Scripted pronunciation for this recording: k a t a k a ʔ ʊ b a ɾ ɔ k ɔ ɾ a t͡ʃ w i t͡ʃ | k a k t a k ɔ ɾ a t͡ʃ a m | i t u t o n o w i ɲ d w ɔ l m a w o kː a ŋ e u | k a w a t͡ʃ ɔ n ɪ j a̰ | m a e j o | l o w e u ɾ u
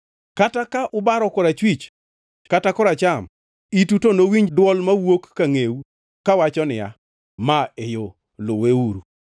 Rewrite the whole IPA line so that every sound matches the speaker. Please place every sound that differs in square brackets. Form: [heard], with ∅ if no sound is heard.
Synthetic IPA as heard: k a t a k a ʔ ʊ b a ɾ ɔ k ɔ ɾ a t͡ʃ w i t͡ʃ | k a [∅] t a k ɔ ɾ a t͡ʃ a m | i t u t o n o w i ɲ d w ɔ l m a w o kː a ŋ e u | k a w a t͡ʃ ɔ n ɪ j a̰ | m a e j o | l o w e u ɾ u